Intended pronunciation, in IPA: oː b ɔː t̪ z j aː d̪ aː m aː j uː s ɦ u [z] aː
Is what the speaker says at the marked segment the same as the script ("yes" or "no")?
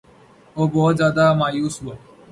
no